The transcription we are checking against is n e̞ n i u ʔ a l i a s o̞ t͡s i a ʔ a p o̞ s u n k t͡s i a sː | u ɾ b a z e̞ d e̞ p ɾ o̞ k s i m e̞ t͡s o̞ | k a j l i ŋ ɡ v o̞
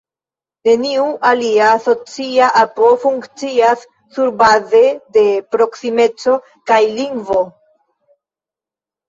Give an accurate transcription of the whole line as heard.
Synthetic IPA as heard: n e̞ n i u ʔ a l i a s o̞ t͡s i a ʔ a p o̞ f u ŋ k t͡s i a sː | u ɾ b a z e̞ d e̞ p ɾ o̞ k s i m e̞ t͡s o̞ | k a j l i ŋ ɡ v o̞